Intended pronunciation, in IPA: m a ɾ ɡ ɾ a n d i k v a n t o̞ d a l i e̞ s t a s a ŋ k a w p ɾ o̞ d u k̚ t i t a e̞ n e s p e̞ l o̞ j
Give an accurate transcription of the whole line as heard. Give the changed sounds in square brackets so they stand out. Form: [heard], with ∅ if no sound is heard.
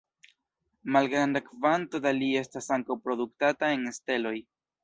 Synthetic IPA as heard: m a [l] ɡ ɾ a n d [a] k v a n t o̞ d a l i e̞ s t a s a ŋ k a w p ɾ o̞ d u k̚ t [a] t a e̞ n e s [t] e̞ l o̞ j

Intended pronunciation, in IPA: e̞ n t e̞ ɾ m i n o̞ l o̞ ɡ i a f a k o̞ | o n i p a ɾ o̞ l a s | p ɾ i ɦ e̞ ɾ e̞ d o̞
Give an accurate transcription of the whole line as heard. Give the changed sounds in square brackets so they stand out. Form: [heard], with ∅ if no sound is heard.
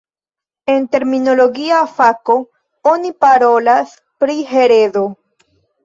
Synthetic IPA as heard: e̞ n t e̞ ɾ m i n o̞ l o̞ ɡ i a f a k o̞ | o n i p a ɾ o̞ l a s | p ɾ i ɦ e̞ ɾ e̞ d o̞

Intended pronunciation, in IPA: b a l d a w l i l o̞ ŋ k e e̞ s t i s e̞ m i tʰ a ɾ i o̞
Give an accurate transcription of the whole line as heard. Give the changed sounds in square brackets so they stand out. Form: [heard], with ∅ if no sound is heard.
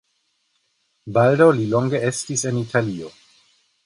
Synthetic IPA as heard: b a l d a w l i l o̞ ŋ [ɡ] e e̞ s t i s e̞ [n] i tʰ a [l] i o̞

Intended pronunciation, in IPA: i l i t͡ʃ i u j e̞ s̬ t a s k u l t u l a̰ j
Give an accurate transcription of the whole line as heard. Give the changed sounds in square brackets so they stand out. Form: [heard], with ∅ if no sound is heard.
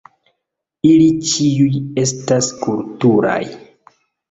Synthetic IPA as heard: i l i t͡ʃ i u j e̞ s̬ t a s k u l t u [ɾ] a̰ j

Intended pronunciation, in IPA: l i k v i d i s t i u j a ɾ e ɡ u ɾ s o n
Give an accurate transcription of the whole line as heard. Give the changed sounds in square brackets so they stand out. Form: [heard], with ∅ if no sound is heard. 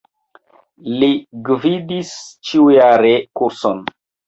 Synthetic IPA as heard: l i [ɡ] v i d i s [t͡ʃ] i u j a ɾ e [k] u ɾ s o n

